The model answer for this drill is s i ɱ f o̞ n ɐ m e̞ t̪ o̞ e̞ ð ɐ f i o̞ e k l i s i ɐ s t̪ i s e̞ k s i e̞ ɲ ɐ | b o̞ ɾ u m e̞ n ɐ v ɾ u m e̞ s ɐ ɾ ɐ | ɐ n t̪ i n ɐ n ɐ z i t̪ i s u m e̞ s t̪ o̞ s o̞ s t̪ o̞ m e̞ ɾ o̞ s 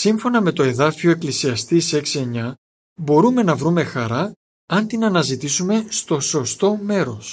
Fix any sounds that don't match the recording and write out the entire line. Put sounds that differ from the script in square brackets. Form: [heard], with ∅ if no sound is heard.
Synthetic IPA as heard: s i ɱ f o̞ n ɐ m e̞ t̪ o̞ e̞ ð ɐ f i o̞ e k l i s i ɐ s t̪ i s e̞ k s i e̞ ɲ ɐ | b o̞ ɾ u m e̞ n ɐ v ɾ u m e̞ [x] ɐ ɾ ɐ | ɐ n t̪ i n ɐ n ɐ z i t̪ i s u m e̞ s t̪ o̞ s o̞ s t̪ o̞ m e̞ ɾ o̞ s